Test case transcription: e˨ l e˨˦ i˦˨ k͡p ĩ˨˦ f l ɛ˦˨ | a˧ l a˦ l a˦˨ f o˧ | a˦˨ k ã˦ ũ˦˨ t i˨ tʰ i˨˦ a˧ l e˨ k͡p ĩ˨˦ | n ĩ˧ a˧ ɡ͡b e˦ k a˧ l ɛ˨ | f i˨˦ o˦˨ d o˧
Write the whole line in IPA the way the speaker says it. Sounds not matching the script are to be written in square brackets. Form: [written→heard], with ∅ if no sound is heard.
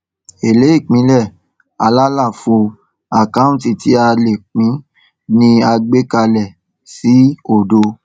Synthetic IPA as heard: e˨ l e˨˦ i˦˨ k͡p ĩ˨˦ [f→∅] l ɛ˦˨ | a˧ l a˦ l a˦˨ f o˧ | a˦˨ k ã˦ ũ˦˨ t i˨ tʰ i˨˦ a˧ l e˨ k͡p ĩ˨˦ | n ĩ˧ a˧ ɡ͡b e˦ k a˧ l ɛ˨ | [f→s] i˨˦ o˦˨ d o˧

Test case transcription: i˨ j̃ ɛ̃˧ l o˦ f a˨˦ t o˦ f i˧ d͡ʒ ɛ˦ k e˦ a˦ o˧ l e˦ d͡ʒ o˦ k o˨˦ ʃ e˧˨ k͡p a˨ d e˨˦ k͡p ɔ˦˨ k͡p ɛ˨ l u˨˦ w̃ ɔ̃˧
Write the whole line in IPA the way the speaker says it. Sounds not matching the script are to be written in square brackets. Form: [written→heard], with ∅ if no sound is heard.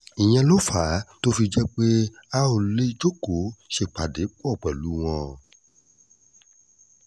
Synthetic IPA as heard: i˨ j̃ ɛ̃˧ l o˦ f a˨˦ t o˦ f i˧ d͡ʒ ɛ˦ [k→k͡p] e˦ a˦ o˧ l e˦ d͡ʒ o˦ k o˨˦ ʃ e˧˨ k͡p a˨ d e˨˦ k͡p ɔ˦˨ k͡p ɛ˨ l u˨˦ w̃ ɔ̃˧

